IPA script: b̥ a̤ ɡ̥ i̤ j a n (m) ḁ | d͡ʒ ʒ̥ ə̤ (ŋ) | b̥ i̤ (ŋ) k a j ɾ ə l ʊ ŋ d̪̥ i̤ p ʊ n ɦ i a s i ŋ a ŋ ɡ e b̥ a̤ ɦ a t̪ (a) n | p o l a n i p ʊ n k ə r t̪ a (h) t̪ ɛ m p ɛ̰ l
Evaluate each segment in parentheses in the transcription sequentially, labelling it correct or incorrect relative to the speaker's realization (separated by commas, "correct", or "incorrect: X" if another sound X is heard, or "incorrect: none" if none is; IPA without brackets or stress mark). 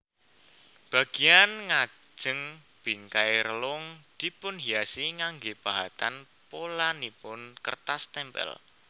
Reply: incorrect: ŋ, correct, correct, correct, incorrect: s